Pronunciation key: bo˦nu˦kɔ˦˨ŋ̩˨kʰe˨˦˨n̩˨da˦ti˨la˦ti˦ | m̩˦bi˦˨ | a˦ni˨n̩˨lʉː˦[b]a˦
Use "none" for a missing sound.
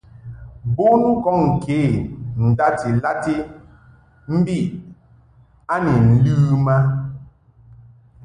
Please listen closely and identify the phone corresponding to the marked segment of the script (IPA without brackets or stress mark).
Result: m